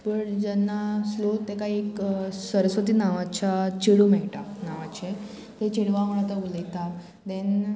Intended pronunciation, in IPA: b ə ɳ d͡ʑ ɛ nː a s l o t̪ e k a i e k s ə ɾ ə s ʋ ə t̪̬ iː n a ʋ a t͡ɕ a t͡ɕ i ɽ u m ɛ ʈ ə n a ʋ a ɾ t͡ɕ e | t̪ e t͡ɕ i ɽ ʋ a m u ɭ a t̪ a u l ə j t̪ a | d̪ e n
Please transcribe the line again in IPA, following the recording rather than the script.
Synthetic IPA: p ə ɳ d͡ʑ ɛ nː a s l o t̪ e k a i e k s ə ɾ ə s ʋ ə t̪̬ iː n a ʋ a t͡ɕ a t͡ɕ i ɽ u m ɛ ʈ a n a ʋ a t͡ɕ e | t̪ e t͡ɕ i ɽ ʋ a m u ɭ a t̪ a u l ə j t̪ a | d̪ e n

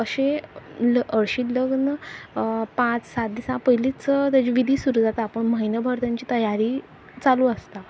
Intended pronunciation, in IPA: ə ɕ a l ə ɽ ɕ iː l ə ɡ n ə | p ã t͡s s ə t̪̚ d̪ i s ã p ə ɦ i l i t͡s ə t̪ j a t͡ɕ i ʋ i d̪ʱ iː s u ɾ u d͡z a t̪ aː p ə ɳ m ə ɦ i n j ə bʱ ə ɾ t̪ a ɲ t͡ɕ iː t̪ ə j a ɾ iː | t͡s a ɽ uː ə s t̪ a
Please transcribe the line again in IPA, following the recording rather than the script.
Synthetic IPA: ə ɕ e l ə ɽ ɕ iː l ə ɡ n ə | p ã t͡s s a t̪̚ d̪ i s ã p ə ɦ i l i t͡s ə t̪ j a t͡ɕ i ʋ i d̪ʱ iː s u ɾ u d͡z a t̪ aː p ə ɳ m ə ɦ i n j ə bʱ ə ɾ t̪ a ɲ t͡ɕ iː t̪ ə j a ɾ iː | t͡s a l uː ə s t̪ a

